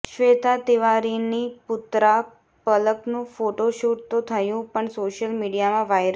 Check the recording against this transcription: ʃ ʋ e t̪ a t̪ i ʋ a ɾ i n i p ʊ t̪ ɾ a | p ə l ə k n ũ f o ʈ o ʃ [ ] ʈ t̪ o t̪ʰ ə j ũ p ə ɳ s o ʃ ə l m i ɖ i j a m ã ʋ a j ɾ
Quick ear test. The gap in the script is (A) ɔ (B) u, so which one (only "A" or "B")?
B